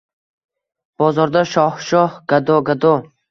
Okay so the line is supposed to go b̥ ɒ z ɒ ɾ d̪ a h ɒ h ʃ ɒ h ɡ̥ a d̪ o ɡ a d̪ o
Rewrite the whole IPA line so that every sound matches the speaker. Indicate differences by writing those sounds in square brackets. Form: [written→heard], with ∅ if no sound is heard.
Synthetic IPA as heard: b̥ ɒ z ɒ ɾ d̪ a [h→ʃ] ɒ h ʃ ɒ h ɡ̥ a d̪ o ɡ a d̪ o